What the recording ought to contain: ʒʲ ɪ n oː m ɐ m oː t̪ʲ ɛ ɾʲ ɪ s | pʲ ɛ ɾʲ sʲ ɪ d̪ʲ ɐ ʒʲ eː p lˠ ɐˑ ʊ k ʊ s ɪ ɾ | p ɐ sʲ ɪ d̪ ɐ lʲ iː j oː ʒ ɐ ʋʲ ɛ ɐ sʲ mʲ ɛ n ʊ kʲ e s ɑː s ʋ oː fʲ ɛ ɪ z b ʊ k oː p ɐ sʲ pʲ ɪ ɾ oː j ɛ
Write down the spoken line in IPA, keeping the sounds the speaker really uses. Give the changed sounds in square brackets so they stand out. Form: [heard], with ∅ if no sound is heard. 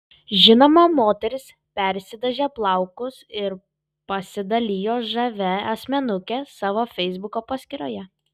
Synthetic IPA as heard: ʒʲ ɪ n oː m ɐ m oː t̪ʲ ɛ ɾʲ ɪ s | pʲ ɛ ɾʲ sʲ ɪ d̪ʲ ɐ ʒʲ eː p lˠ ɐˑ ʊ k ʊ s ɪ ɾ | p ɐ sʲ ɪ d̪ ɐ lʲ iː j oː ʒ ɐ ʋʲ ɛ ɐ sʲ mʲ ɛ n ʊ kʲ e s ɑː [∅] ʋ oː fʲ ɛ ɪ z b ʊ k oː p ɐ sʲ [kʲ] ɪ ɾ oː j ɛ